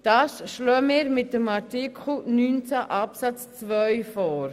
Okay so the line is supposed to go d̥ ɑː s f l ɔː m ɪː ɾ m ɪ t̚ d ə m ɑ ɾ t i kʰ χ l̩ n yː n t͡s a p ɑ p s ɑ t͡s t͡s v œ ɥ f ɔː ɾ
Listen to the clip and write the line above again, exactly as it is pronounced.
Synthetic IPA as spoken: d̥ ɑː s ʃ l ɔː m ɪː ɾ m ɪ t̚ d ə m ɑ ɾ t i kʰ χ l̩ n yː n t͡s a ʔ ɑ p s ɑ t͡s t͡s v œ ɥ f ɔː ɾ